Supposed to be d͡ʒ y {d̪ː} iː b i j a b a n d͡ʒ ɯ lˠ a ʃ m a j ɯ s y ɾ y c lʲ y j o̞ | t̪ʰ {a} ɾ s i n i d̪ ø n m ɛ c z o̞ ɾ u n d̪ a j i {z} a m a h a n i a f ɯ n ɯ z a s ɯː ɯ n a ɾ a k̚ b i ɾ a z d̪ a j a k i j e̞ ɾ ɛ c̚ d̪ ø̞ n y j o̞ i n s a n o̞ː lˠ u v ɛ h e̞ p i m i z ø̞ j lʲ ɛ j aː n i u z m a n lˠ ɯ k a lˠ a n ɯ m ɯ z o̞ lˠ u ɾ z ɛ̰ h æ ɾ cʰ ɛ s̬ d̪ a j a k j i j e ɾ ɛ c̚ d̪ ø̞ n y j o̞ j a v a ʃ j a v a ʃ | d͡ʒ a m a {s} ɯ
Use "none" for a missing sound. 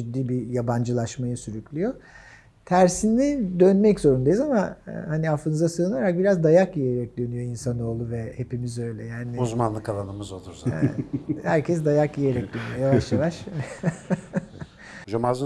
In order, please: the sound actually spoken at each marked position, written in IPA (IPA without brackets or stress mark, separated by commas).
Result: d̪ː, æ, z, z